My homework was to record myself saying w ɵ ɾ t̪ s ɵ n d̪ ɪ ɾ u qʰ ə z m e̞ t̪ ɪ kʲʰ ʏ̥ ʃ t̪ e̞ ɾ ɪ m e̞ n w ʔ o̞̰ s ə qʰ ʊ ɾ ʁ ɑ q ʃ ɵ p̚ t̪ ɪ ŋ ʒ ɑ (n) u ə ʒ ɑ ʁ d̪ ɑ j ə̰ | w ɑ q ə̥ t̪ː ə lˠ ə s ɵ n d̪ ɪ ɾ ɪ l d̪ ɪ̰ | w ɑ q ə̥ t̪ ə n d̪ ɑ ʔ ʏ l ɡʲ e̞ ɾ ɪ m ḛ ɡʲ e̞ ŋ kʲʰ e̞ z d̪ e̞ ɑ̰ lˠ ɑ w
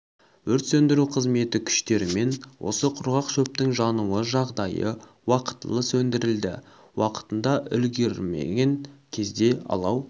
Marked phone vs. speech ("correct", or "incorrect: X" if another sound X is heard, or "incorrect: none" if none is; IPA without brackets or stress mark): correct